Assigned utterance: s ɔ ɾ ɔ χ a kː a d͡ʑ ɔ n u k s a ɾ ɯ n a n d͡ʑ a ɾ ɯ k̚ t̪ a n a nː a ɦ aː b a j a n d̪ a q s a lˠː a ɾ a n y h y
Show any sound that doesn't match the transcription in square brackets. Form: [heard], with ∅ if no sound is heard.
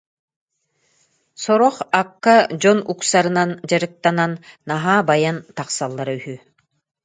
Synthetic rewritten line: s ɔ ɾ ɔ χ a kː a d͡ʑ ɔ n u k s a ɾ ɯ n a n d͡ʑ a ɾ ɯ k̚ t̪ a n a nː a ɦ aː b a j a n [t̪] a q s a lˠː a ɾ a [∅] y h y